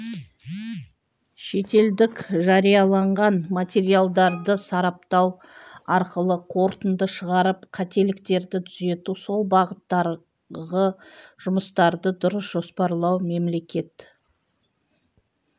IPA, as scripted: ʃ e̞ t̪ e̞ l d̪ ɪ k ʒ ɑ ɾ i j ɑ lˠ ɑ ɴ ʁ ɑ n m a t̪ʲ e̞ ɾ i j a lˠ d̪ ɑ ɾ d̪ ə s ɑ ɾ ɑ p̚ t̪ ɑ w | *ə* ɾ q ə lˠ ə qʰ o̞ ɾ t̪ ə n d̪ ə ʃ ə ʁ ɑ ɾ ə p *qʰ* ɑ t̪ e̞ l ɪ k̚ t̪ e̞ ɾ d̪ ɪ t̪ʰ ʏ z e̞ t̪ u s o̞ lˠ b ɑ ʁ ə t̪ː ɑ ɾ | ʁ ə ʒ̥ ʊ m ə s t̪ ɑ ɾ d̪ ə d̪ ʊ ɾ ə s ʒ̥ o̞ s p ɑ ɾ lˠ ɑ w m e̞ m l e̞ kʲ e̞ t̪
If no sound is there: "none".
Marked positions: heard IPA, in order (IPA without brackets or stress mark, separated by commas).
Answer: ɑ, qʰ